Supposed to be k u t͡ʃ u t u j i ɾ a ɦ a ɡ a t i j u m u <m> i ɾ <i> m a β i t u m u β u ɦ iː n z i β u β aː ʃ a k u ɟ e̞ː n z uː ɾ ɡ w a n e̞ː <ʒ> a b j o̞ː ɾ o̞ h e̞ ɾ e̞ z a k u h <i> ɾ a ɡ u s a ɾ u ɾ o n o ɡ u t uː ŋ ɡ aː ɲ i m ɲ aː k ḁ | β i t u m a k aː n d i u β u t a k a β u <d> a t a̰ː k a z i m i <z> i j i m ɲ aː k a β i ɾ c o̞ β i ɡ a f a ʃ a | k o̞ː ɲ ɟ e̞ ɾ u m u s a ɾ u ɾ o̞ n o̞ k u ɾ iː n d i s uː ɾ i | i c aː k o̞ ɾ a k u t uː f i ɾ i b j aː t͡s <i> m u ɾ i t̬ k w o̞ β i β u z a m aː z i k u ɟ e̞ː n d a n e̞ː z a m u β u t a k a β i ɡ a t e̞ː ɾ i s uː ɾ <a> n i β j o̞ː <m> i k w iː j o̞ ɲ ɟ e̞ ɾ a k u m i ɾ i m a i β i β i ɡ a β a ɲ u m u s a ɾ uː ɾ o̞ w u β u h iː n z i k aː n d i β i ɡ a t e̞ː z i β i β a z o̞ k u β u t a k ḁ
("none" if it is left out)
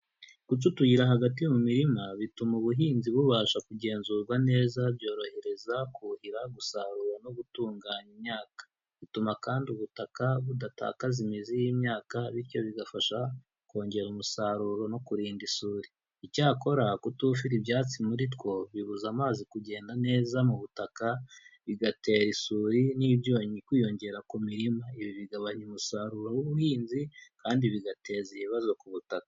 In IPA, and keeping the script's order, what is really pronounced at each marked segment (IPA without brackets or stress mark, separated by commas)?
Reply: m, i, z, i, d, z, i, i, ɲ